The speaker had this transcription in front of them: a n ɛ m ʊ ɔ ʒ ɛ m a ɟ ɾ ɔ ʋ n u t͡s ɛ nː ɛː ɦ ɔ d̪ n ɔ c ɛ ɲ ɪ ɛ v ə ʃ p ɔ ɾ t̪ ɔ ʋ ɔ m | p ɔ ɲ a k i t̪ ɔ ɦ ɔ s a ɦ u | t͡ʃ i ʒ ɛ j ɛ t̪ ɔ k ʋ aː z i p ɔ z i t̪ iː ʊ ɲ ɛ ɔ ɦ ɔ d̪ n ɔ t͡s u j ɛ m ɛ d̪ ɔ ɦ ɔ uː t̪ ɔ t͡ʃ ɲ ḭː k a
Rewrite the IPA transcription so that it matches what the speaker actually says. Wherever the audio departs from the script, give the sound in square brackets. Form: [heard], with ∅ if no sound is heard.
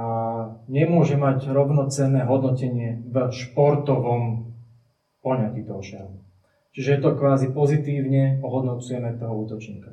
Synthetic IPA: a [ɲ] ɛ m ʊ ɔ ʒ ɛ m a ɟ ɾ ɔ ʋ n [ɔ] t͡s ɛ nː ɛː ɦ ɔ d̪ n ɔ c ɛ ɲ ɪ ɛ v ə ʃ p ɔ ɾ t̪ ɔ ʋ ɔ m | p ɔ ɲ a k i t̪ ɔ ɦ ɔ [ʃ] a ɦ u | t͡ʃ i ʒ ɛ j ɛ t̪ ɔ k ʋ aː z i p ɔ z i t̪ iː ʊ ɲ ɛ ɔ ɦ ɔ d̪ n ɔ t͡s u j ɛ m ɛ [t̪] ɔ ɦ ɔ uː t̪ ɔ t͡ʃ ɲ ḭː k a